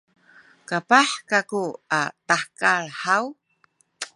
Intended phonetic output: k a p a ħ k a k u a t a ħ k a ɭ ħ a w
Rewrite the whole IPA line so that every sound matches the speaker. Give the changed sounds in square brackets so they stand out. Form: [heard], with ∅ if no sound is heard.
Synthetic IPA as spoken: k a p a ħ k a k u a t a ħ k a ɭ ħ a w

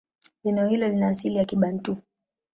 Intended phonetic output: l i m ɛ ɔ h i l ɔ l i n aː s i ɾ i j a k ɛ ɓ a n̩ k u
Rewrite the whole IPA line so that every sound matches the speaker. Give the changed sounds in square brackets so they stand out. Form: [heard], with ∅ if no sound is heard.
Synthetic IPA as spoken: l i [n] ɛ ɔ h i l ɔ l i n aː s i [l] i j a k [i] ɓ a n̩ [t] u

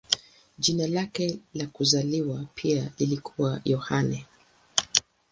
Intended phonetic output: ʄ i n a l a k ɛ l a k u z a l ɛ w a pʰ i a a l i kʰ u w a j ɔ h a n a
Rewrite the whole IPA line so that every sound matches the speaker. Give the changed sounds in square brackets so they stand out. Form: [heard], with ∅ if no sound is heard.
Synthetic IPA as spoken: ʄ i n a l a k ɛ l a k u z a l [i] w a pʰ i a [i] l i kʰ u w a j ɔ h a n [ɛ]

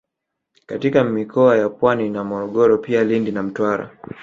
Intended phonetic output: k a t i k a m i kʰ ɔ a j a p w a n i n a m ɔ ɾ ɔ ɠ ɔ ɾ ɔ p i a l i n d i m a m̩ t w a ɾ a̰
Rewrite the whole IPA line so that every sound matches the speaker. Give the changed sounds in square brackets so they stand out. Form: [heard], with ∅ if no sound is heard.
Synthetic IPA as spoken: k a t i k a m i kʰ ɔ a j a p w a n i n a m ɔ ɾ ɔ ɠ ɔ ɾ ɔ p i a l i n d i [n] a m̩ t w a ɾ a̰

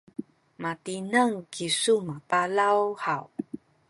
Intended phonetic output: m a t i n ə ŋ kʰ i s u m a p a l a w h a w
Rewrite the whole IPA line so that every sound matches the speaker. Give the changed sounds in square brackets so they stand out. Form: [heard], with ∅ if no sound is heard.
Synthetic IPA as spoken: m a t i n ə ŋ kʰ i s u m a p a l a w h a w

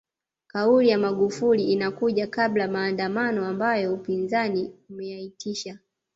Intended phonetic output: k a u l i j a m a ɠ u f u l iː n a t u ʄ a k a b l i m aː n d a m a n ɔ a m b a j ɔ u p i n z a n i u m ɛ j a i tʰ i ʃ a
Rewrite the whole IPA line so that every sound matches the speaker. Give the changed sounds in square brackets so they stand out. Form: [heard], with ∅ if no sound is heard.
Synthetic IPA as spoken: k a u l i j a m a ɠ u f u l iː n a [k] u ʄ a k a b l [a] m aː n d a m a n ɔ a m b a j ɔ u p i n z a n i u m ɛ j a i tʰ i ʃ a

